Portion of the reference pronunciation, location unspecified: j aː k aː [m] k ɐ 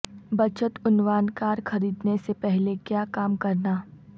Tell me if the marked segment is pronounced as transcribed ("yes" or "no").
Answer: yes